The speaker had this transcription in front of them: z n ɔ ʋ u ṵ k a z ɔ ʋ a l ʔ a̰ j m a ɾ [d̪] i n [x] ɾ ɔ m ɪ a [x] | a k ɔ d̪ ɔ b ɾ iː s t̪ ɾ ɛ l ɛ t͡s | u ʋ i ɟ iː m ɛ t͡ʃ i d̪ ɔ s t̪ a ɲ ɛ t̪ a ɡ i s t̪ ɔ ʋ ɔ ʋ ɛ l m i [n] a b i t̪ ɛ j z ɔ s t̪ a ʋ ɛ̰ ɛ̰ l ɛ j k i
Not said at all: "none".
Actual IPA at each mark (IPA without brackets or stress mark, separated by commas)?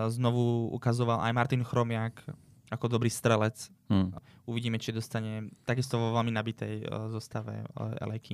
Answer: t̪, x, k, n